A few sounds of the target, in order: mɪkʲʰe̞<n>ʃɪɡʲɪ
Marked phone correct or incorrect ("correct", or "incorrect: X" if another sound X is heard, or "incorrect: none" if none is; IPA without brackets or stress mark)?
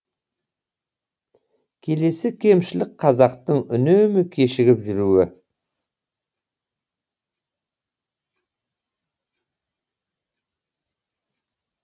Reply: incorrect: none